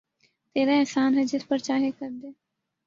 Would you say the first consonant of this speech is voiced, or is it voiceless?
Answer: voiceless